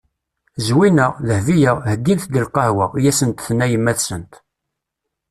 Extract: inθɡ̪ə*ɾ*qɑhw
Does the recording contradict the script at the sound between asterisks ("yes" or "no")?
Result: yes